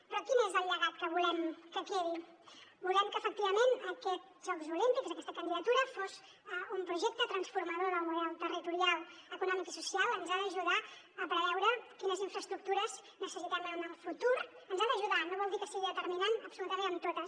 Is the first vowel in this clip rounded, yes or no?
yes